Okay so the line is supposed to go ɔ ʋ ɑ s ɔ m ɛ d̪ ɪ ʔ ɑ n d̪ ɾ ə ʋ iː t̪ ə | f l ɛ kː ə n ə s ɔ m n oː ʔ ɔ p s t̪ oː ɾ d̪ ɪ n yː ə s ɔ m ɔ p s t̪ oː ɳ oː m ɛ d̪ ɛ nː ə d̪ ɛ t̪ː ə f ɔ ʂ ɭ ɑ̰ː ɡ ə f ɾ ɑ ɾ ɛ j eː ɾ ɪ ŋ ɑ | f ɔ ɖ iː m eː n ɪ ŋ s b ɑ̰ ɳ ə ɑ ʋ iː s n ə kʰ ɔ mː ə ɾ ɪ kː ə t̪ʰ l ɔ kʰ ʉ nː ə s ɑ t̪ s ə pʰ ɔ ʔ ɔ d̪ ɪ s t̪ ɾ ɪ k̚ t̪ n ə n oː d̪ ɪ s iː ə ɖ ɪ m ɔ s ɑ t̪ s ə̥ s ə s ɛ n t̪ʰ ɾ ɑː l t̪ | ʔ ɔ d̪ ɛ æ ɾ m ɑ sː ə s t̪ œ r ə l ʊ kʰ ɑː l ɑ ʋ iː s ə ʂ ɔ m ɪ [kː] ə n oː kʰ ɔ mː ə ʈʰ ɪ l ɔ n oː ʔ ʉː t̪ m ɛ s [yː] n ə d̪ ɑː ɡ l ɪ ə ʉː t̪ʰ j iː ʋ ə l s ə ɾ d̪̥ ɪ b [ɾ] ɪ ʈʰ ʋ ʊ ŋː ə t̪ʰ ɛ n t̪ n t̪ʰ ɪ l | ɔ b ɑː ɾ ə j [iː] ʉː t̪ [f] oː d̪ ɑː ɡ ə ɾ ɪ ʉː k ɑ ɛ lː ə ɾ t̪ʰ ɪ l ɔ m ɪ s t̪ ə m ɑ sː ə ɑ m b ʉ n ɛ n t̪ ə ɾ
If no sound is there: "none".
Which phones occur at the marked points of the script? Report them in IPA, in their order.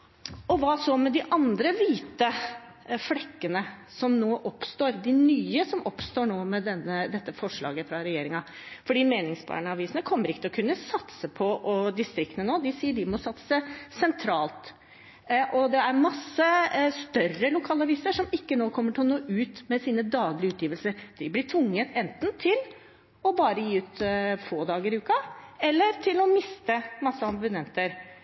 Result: kː, iː, l, iː, f

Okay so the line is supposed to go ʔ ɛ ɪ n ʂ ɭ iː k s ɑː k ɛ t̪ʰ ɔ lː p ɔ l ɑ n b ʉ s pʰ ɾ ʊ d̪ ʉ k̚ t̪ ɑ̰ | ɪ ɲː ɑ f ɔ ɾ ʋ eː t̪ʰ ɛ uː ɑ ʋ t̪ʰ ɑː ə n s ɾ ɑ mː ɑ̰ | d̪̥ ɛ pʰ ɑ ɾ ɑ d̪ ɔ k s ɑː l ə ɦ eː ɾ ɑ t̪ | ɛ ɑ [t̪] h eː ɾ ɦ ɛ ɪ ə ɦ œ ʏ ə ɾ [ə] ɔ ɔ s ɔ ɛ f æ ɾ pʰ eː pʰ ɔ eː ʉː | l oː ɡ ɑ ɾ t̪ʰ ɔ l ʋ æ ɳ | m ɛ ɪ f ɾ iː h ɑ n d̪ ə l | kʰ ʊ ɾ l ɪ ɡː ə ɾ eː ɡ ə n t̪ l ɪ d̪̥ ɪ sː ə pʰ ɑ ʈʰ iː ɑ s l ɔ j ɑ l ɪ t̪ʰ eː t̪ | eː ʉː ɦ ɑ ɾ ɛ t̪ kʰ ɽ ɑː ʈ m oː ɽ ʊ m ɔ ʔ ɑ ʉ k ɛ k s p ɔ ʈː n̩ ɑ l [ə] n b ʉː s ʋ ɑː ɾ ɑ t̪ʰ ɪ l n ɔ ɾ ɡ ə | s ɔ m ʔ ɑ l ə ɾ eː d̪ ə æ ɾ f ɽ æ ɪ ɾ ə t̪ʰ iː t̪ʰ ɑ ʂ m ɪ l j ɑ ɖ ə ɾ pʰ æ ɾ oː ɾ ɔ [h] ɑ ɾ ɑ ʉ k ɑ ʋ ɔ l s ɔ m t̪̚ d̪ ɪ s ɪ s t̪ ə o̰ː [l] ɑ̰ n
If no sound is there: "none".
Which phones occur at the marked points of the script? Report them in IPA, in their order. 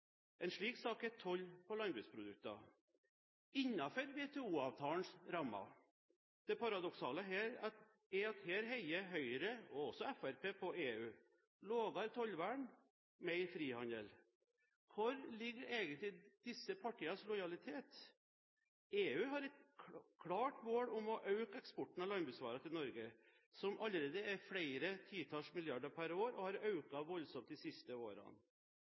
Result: t̪, ə, ɑ, h, ɾ

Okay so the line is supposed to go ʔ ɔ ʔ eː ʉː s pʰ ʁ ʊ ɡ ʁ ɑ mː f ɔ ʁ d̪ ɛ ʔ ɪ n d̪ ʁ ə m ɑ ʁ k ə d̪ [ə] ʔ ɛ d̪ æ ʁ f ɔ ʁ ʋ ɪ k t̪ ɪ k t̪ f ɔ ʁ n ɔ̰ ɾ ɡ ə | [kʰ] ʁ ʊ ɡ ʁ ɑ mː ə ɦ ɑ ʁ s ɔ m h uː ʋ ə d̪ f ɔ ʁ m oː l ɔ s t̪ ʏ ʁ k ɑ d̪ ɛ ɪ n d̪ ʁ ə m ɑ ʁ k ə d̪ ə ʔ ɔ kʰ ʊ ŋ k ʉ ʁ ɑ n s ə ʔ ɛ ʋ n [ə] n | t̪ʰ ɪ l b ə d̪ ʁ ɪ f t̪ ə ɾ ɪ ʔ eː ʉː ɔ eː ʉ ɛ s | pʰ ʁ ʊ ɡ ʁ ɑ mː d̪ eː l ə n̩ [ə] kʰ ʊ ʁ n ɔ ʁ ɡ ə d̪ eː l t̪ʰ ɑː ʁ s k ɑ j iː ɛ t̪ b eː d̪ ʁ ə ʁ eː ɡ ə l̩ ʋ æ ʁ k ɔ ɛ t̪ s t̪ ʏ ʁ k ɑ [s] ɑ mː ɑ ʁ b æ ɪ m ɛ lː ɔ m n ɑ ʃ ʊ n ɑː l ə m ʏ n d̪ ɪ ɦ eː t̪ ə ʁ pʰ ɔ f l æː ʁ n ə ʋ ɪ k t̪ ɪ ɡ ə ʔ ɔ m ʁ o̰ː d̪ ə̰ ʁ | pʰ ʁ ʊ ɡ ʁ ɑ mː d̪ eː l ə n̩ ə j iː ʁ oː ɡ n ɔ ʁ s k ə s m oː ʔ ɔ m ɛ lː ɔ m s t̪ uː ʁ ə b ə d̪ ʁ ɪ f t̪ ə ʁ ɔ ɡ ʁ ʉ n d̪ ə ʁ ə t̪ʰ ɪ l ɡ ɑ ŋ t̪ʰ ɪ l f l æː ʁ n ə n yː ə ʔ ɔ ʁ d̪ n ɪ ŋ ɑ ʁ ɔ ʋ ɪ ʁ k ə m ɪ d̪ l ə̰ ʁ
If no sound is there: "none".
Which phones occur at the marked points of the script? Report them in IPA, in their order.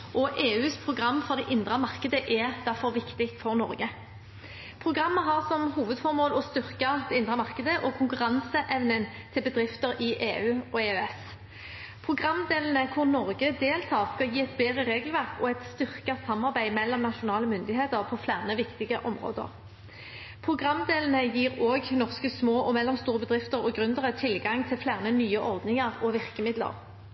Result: ə, pʰ, ə, ə, s

